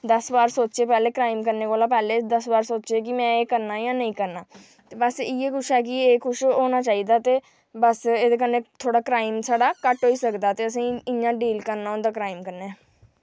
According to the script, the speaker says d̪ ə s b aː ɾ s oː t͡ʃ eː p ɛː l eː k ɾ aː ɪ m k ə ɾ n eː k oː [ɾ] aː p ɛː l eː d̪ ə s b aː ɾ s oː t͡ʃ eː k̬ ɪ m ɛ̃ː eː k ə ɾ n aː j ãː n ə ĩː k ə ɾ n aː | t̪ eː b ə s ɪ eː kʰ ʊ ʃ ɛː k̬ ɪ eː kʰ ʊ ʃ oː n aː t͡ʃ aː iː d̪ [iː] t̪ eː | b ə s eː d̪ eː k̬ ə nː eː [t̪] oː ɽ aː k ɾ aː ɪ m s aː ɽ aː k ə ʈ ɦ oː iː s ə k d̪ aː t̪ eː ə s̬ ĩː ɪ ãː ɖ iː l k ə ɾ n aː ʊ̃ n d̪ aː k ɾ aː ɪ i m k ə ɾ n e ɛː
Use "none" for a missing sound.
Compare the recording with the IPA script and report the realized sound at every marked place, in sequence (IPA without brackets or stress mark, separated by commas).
l, aː, t̪ʰ